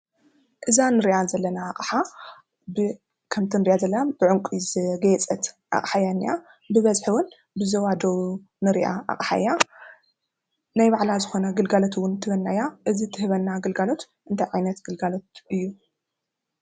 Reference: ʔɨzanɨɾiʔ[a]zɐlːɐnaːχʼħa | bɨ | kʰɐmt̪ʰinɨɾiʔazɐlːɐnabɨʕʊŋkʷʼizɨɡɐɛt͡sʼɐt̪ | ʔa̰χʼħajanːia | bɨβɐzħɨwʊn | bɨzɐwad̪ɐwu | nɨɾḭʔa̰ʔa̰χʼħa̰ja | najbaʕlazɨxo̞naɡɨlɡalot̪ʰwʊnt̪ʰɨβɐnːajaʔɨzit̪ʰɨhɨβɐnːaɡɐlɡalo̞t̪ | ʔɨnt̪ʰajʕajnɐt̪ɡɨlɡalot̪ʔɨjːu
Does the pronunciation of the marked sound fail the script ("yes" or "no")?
no